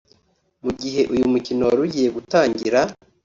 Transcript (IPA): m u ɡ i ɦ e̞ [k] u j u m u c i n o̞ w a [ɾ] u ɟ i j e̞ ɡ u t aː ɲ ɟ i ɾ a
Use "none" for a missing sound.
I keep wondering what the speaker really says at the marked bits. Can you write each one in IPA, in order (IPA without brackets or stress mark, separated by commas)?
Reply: ʔ, ɾ